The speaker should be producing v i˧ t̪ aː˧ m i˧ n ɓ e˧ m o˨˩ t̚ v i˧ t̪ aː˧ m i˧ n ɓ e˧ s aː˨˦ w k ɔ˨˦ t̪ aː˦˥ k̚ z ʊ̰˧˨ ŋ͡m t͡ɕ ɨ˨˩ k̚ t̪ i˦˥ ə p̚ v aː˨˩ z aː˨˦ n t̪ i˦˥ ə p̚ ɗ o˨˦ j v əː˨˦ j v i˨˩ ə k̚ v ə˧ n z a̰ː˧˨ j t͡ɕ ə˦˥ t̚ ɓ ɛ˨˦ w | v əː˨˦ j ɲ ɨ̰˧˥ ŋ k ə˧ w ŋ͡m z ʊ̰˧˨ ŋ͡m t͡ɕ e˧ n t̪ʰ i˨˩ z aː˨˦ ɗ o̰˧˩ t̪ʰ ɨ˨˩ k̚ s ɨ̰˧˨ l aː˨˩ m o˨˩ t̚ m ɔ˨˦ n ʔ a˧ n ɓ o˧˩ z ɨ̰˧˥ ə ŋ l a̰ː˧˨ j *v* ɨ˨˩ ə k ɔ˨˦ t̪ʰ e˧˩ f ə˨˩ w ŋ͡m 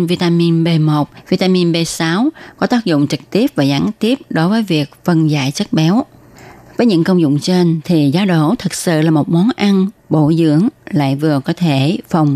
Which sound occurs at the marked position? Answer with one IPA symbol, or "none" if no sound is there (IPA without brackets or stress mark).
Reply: v